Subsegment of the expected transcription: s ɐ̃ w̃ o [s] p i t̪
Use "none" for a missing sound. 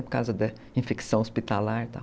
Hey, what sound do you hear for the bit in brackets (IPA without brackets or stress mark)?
s